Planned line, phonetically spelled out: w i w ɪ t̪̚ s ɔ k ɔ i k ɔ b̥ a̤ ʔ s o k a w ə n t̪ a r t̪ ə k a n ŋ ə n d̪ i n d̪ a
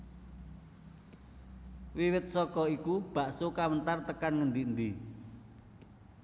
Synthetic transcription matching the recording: w i w ɪ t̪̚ s ɔ k ɔ i k u b̥ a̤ ʔ s o k a w ə n t̪ a r t̪ ə k a n ŋ ə n d̪ i n d̪ i